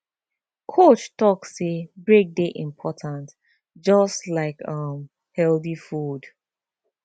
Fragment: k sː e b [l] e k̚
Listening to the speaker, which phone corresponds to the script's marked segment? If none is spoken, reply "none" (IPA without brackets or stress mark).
ɹ